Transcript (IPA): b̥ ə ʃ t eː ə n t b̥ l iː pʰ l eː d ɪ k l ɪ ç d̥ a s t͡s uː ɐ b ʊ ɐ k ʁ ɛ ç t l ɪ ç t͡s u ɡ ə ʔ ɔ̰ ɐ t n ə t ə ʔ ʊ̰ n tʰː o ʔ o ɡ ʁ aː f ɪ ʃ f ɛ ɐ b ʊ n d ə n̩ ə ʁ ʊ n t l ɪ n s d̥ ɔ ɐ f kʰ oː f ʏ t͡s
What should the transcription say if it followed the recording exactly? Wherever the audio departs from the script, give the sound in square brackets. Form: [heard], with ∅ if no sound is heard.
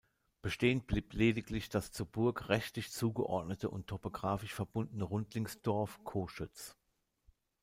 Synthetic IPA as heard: b̥ ə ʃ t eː ə n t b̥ l iː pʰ l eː d ɪ k l ɪ ç d̥ a s t͡s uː ɐ b ʊ ɐ k ʁ ɛ ç t l ɪ ç t͡s [uː] ɡ ə ʔ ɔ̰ ɐ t n ə t ə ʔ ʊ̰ n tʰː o [p] o ɡ ʁ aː f ɪ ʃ f ɛ ɐ b ʊ n d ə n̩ ə ʁ ʊ n t l ɪ [ŋ] s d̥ ɔ ɐ f kʰ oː [ʃ] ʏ t͡s